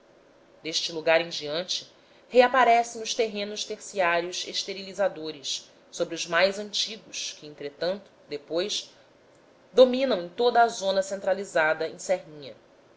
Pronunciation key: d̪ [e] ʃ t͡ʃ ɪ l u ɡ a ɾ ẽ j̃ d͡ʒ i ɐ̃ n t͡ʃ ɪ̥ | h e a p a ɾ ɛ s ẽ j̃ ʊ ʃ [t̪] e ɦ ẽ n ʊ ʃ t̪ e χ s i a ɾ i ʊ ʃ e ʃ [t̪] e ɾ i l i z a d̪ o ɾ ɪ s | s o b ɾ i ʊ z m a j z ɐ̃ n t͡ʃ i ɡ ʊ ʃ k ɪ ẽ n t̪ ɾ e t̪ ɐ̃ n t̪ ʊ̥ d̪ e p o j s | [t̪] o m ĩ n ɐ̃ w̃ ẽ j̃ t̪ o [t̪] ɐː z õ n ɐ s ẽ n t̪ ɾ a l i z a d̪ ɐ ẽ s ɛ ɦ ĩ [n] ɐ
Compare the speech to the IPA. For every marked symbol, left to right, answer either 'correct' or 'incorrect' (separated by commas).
correct, correct, correct, incorrect, incorrect, incorrect